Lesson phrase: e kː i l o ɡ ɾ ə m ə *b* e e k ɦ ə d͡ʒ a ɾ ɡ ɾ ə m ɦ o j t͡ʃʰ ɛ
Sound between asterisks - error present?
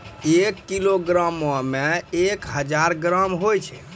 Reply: yes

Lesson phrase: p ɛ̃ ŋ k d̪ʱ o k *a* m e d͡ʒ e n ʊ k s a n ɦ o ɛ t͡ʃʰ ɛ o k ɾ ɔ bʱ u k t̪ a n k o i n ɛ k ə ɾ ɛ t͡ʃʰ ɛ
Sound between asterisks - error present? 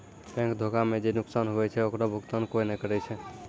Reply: no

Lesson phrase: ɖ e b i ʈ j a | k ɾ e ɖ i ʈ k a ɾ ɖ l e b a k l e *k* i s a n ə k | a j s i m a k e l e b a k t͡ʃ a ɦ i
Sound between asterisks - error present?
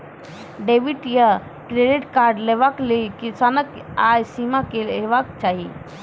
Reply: no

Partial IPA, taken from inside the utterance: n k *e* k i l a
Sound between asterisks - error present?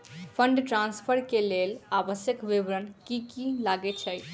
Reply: yes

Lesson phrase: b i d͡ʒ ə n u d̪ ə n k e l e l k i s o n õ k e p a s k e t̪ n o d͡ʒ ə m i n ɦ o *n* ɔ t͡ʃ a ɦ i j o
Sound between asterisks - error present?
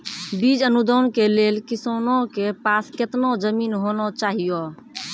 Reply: no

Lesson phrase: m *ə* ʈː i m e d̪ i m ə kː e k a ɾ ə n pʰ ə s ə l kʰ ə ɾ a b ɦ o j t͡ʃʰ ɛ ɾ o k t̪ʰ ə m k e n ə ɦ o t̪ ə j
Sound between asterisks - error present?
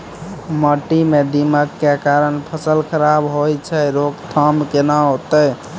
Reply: no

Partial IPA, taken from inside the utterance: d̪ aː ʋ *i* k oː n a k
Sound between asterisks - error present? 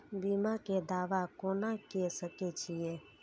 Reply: yes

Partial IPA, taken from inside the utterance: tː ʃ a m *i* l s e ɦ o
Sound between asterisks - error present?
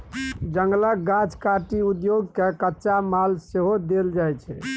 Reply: yes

